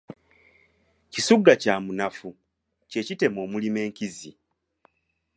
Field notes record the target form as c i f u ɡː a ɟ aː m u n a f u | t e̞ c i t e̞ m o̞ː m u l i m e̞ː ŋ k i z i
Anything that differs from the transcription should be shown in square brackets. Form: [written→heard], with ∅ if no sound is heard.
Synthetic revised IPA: c i [f→s] u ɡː a [ɟ→c] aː m u n a f u | [t→c] e̞ c i t e̞ m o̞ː m u l i m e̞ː ŋ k i z i